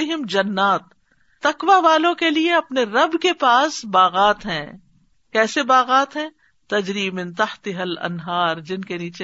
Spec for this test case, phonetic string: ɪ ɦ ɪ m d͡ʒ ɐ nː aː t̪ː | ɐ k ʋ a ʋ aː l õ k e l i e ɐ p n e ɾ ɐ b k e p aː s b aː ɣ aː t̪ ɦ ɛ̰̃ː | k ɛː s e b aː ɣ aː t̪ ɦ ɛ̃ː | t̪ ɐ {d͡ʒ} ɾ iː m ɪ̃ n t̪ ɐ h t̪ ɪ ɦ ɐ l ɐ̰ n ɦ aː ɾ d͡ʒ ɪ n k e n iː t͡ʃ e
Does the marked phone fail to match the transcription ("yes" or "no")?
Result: no